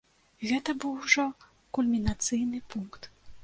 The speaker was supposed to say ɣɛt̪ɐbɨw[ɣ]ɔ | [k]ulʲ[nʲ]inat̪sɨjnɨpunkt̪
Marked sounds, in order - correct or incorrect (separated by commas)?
incorrect, correct, incorrect